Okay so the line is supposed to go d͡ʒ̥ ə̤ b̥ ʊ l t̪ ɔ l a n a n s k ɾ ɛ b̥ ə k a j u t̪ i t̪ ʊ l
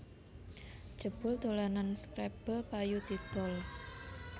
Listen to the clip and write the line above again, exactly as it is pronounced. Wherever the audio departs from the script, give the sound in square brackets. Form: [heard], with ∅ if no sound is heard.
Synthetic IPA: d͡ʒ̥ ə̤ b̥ ʊ l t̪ [o] l a n a n s k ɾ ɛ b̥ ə [p] a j u t̪ i t̪ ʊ l